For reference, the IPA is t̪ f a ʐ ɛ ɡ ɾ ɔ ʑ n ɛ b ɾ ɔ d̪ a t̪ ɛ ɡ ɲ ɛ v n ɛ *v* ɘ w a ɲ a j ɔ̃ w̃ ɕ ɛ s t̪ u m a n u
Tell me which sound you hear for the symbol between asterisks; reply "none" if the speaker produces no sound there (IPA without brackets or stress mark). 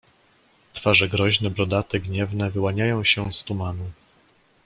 v